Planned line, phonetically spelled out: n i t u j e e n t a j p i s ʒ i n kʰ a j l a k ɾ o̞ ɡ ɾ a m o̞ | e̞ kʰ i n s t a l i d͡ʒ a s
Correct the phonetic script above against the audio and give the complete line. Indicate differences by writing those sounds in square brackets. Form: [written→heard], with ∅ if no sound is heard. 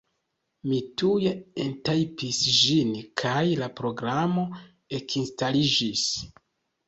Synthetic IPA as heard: [n→m] i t u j e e n t a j p i s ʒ i n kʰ a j l a [k→p] ɾ o̞ ɡ ɾ a m o̞ | e̞ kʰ i n s t a l i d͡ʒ [a→i] s